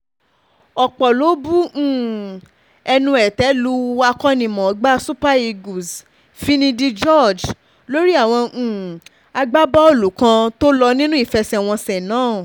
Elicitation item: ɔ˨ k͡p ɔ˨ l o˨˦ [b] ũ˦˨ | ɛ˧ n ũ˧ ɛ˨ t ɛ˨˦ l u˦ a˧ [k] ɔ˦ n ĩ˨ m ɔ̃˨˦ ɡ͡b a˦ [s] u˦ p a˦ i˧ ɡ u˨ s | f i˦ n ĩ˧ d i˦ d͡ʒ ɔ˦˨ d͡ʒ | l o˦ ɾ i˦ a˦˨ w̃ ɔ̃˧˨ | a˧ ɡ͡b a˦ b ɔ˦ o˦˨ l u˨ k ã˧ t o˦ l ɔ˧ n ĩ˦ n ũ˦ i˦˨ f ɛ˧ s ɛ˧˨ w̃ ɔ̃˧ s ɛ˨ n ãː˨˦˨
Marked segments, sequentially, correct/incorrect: correct, correct, correct

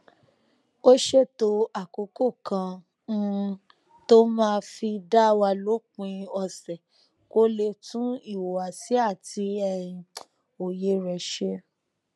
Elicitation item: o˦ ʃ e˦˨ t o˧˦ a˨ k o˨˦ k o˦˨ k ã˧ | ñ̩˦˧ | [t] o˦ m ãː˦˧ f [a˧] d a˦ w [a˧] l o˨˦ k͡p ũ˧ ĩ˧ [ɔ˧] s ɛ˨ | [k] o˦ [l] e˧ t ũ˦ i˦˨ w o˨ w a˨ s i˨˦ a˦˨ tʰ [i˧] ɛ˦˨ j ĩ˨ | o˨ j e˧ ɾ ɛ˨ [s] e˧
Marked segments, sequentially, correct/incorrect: correct, incorrect, correct, correct, correct, correct, correct, incorrect

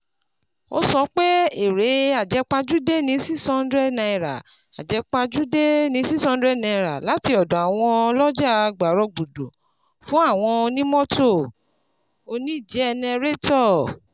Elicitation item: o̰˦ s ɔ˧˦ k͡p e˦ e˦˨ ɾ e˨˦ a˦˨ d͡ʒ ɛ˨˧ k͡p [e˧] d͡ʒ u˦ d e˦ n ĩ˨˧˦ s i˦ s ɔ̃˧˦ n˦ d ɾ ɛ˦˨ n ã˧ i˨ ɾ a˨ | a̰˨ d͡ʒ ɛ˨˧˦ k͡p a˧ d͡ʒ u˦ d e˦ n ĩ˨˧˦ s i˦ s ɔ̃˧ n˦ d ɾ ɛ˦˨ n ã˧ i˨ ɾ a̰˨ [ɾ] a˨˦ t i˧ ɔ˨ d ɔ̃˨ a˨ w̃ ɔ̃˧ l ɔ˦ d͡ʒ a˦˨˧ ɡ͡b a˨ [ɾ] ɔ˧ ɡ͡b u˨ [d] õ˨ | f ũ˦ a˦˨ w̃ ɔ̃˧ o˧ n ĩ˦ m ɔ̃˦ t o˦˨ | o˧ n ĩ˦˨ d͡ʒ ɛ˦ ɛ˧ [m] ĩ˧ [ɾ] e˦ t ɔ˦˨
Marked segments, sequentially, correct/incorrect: incorrect, incorrect, correct, correct, incorrect, correct

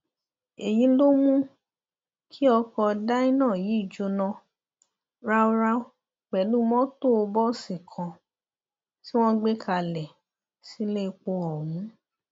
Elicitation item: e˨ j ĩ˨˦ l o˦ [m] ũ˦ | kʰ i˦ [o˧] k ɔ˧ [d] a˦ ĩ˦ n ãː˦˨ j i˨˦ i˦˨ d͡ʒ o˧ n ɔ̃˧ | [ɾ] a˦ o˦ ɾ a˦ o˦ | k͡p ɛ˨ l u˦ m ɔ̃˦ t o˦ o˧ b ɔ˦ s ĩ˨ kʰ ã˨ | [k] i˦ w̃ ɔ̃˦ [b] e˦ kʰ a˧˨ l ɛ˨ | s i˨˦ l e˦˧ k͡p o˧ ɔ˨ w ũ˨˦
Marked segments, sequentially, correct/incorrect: correct, incorrect, correct, correct, incorrect, incorrect

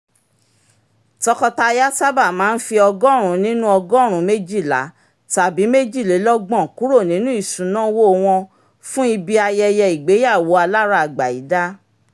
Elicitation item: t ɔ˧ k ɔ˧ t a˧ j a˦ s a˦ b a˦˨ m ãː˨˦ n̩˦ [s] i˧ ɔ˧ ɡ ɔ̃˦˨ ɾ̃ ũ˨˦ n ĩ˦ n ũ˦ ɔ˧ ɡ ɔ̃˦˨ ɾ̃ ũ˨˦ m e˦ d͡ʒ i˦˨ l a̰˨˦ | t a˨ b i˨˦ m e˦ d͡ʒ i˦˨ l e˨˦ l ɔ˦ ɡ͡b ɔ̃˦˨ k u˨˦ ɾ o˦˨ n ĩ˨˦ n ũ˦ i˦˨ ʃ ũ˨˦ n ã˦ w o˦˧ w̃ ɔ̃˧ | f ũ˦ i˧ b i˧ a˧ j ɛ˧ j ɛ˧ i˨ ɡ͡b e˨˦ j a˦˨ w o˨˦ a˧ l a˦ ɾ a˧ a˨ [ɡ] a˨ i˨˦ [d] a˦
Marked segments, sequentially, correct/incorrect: incorrect, incorrect, correct

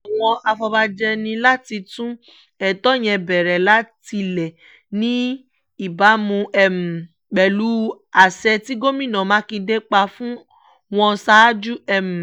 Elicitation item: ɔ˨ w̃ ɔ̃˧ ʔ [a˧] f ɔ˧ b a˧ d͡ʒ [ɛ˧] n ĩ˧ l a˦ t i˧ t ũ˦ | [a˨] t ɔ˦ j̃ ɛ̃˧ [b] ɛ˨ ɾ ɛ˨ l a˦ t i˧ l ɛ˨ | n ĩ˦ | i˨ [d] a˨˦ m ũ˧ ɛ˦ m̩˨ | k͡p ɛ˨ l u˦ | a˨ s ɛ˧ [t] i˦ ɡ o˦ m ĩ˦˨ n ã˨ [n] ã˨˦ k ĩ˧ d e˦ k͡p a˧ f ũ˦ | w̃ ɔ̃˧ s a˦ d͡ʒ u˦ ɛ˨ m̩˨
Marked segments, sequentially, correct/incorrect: correct, correct, incorrect, correct, incorrect, correct, incorrect

